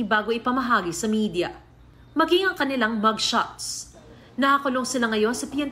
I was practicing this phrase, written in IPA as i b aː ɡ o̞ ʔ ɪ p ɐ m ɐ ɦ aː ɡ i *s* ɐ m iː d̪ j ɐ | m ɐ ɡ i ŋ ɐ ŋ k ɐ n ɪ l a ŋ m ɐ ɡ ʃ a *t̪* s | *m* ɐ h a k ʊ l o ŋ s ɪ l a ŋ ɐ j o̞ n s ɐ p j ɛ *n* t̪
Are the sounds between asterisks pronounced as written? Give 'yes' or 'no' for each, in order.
yes, yes, no, yes

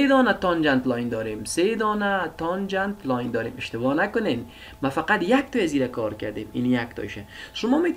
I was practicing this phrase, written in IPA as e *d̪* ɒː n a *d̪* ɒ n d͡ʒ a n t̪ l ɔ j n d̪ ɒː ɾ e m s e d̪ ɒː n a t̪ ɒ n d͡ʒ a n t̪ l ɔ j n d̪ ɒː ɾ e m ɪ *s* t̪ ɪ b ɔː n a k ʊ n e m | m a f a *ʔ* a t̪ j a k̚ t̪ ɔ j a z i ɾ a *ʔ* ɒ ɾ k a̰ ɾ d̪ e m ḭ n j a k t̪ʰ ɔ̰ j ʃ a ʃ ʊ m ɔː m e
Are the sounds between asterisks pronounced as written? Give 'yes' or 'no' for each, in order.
yes, no, no, no, no

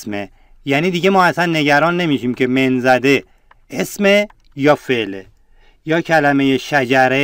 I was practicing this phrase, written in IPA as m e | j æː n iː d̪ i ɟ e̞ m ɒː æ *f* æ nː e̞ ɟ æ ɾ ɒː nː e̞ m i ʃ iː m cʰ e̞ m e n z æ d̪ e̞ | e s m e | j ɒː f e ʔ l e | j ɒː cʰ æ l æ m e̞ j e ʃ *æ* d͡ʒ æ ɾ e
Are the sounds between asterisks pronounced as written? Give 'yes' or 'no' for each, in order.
no, yes

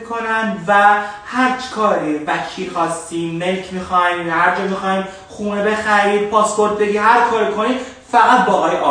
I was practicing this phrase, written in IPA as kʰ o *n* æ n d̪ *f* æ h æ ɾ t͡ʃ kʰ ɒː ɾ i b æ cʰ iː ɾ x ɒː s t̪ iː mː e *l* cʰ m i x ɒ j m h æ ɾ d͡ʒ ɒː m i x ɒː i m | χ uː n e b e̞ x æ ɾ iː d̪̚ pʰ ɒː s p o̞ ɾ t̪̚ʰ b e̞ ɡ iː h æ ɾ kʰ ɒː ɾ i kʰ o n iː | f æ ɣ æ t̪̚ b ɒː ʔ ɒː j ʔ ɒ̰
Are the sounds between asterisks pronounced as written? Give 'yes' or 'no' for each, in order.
yes, no, yes

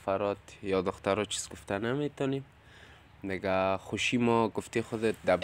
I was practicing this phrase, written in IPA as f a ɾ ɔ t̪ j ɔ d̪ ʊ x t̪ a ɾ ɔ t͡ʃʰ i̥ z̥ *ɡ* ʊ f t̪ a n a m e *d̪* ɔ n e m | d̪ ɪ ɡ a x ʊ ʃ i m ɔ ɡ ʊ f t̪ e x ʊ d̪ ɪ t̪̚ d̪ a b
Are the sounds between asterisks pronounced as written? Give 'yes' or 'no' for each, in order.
yes, no

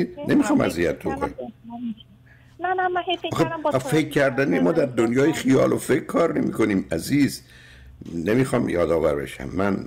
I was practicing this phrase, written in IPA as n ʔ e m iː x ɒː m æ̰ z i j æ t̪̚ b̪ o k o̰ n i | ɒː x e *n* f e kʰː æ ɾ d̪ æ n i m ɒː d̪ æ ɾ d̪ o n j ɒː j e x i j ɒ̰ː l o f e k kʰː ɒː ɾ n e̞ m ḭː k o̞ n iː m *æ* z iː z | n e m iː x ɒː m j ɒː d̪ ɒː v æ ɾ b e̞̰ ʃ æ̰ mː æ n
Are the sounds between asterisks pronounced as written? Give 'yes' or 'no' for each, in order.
no, yes

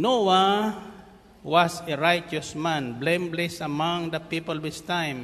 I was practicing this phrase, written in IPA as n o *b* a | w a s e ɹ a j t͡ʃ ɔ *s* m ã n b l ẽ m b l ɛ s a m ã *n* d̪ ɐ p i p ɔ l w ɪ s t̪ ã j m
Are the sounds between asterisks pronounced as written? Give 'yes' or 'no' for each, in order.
no, yes, no

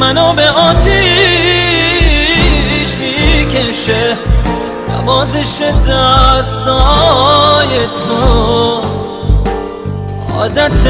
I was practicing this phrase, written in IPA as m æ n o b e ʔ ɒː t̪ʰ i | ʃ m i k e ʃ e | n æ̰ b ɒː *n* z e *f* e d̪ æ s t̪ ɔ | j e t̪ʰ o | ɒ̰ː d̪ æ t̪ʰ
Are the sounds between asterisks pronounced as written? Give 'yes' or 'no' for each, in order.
no, no

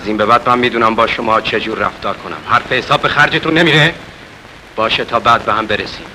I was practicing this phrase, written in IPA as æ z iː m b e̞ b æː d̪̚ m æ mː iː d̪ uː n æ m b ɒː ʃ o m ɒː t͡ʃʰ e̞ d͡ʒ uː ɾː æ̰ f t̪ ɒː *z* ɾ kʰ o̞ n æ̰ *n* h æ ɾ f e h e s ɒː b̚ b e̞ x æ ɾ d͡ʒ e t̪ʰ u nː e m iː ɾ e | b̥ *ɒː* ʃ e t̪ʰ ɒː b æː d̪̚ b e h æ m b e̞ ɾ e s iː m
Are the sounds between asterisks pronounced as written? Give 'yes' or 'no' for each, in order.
no, no, yes

